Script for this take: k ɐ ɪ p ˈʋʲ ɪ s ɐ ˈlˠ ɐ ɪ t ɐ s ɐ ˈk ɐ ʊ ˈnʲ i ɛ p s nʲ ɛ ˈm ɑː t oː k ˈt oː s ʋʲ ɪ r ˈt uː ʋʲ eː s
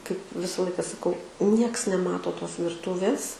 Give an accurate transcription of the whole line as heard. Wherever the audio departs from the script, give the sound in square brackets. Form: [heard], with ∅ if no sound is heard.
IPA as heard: k ɐ ɪ p ˈʋʲ ɪ s ɐ ˈlˠ ɐ ɪ [k] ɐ s ɐ ˈk ɐ ʊ ˈnʲ i ɛ [k] s nʲ ɛ ˈm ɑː t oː [∅] ˈt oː s ʋʲ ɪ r ˈt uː ʋʲ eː s